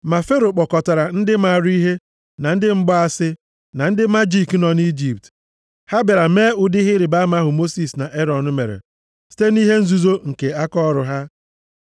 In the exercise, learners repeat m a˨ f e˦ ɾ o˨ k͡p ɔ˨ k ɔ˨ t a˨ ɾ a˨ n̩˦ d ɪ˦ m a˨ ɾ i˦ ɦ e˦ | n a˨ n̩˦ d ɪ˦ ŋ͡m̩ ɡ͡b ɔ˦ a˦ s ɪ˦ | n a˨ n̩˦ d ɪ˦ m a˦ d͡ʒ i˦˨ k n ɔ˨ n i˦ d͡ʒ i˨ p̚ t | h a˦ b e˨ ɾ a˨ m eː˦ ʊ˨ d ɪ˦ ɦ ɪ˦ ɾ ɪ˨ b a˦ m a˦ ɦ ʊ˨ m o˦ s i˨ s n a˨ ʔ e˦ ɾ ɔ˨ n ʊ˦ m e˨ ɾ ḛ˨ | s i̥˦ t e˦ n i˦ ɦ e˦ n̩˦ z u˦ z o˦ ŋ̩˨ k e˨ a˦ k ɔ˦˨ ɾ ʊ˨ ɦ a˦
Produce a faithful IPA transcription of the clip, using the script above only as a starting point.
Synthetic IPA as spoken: m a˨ f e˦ ɾ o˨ k͡p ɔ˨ k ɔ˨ t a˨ ɾ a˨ n̩˦ d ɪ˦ m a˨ ɾ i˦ ɦ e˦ | n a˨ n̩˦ d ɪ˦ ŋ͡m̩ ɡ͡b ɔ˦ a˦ s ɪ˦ | n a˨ n̩˦ d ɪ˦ m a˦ d͡ʒ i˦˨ k n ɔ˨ n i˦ d͡ʒ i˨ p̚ t | h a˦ b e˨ ɾ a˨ m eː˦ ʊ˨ d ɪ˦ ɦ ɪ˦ ɾ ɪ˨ b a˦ m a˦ ɦ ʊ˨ m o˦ s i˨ s n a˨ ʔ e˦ ɾ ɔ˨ n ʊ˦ m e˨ ɾ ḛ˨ | s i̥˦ t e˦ n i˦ ɦ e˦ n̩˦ z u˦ z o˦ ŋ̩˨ k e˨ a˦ k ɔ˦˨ ɾ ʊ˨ ɦ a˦